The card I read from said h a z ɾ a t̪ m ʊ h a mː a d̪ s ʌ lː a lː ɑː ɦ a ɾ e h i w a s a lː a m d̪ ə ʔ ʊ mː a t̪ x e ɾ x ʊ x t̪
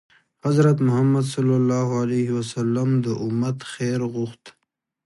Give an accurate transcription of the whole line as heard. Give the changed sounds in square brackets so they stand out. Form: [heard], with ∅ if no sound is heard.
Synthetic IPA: h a z ɾ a t̪ m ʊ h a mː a d̪ s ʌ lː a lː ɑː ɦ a [l] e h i w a s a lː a m d̪ ə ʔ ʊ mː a t̪ x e ɾ [ɣ] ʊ x t̪